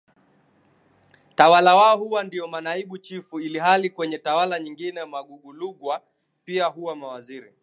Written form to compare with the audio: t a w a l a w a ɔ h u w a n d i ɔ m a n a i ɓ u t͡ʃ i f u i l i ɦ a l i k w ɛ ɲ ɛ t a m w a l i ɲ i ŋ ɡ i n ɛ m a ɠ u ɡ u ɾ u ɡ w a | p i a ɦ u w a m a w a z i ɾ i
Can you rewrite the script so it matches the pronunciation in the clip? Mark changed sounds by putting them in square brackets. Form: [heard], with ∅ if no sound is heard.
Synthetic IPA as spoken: t a w a l a w a ɔ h u w a n d i ɔ m a n a i ɓ u t͡ʃ i f u i l i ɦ a l i k w ɛ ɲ ɛ t a [∅] w a l [a] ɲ i ŋ ɡ i n ɛ m a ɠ u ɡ u [l] u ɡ w a | p i a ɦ u w a m a w a z i ɾ i